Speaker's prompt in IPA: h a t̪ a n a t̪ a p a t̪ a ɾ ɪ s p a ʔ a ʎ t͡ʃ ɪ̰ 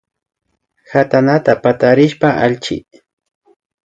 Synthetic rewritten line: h a t̪ a n a t̪ a p a t̪ a ɾ ɪ ʃ p a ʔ a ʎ t͡ʃ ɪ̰